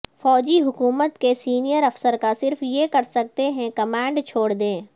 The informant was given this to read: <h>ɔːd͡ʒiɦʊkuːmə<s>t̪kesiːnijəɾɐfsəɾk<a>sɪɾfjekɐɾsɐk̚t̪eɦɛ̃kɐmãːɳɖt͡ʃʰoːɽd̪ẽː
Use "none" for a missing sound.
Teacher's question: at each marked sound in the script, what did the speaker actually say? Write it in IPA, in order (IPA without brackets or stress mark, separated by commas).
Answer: f, none, a